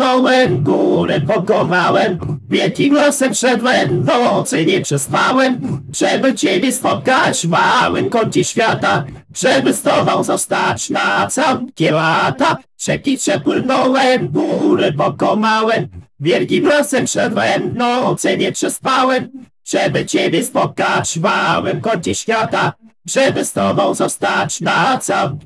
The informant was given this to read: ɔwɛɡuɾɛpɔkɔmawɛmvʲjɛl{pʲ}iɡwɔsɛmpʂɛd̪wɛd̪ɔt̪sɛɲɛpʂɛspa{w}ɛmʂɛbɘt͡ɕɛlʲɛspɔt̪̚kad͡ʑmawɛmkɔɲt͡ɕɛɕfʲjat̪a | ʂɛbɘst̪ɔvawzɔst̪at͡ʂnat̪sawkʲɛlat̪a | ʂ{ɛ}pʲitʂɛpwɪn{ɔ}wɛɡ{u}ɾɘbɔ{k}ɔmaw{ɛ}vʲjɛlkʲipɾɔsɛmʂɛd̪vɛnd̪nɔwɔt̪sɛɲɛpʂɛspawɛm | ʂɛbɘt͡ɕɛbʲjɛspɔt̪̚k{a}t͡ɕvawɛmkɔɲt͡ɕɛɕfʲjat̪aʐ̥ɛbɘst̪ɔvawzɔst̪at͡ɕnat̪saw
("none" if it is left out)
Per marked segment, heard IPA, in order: kʲ, w, ɛ, ɔ, u, k, ɛ, a

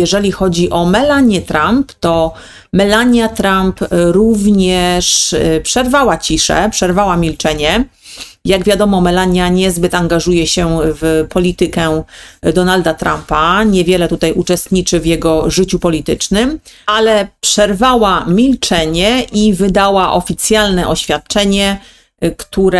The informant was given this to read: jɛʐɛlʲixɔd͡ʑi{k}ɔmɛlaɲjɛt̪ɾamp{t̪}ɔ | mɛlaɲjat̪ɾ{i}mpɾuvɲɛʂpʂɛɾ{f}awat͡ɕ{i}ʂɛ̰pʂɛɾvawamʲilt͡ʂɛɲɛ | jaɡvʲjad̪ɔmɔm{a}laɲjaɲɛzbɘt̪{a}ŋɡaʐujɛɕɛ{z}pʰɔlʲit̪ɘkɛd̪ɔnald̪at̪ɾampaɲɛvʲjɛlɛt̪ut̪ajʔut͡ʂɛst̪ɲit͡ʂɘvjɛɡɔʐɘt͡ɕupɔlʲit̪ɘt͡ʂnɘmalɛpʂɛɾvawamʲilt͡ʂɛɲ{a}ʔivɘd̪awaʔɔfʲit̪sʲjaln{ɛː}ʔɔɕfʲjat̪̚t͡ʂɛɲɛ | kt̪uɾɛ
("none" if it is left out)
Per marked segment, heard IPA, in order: ʔ, t̪, a, v, i, ɛ, a, v, ɛ, ɛ

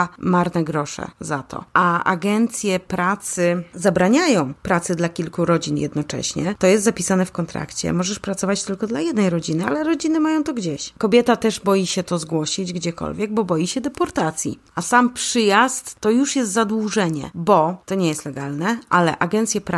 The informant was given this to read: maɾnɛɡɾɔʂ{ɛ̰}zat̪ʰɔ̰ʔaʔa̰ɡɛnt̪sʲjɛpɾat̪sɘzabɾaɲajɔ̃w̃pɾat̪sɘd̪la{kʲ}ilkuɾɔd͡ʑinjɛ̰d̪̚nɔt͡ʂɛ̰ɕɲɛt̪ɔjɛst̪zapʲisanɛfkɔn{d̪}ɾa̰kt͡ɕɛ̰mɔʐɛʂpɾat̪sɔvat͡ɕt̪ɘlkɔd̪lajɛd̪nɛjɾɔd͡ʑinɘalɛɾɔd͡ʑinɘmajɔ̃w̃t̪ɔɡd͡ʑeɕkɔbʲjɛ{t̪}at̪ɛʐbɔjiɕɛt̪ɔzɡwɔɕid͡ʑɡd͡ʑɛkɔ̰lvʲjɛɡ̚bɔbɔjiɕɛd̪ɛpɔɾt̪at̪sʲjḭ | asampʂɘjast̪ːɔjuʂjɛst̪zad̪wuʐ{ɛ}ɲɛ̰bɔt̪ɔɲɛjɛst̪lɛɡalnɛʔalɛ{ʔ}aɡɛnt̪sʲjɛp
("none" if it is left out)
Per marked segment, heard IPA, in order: ɛ̰, kʲ, t̪, t̪, ɛ, ʔ

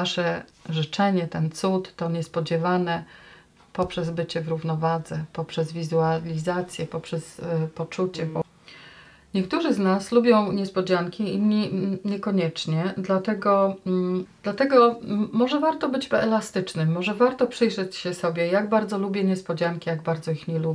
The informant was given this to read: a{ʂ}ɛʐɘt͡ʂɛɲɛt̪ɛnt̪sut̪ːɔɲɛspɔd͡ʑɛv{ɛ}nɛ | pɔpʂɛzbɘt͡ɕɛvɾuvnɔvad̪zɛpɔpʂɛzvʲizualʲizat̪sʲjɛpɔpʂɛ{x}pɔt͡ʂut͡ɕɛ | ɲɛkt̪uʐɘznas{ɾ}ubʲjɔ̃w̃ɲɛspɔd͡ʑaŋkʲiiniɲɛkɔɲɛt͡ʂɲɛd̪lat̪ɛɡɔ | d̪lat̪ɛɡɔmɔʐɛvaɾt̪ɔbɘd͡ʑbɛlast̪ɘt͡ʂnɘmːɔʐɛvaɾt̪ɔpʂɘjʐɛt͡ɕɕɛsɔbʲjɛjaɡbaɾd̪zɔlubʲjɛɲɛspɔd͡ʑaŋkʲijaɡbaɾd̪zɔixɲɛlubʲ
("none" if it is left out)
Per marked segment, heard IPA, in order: ʂ, a, s, l

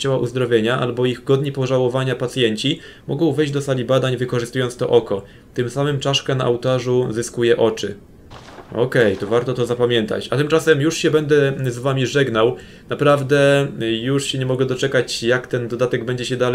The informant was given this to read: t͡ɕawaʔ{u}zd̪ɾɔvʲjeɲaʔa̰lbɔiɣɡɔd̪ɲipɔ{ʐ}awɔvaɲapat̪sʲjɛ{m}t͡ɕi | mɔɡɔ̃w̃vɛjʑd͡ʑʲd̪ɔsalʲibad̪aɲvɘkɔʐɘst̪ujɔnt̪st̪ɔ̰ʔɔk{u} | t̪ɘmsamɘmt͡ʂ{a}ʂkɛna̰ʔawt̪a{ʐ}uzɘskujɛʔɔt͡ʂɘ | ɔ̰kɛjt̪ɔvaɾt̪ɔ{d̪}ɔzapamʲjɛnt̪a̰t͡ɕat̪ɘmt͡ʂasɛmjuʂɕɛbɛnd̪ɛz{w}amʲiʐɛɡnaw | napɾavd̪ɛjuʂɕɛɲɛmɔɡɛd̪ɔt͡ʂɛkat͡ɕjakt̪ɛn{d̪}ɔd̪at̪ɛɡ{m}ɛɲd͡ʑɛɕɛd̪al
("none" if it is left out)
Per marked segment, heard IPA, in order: u, ʐ, ɲ, ɔ, a, ʐ, t̪, v, d̪, b

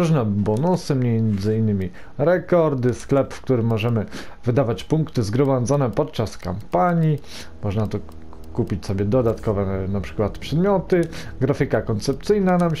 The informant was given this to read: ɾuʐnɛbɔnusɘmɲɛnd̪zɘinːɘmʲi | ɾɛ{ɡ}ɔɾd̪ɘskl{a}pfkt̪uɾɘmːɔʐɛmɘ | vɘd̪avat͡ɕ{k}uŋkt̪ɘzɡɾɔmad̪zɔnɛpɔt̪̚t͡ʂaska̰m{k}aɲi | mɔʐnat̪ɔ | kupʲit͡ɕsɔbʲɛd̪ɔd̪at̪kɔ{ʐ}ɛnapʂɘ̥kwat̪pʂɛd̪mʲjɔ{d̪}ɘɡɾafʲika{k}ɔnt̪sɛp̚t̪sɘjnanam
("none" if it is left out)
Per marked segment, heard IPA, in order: k, ɛ, p, p, v, t̪, k

